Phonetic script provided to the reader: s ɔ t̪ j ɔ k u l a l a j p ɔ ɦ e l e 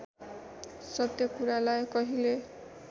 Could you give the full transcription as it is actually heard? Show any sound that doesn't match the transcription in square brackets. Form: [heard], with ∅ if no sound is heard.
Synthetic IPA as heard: s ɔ t̪ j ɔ k u [ɾ] a l a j [k] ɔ ɦ [i] l e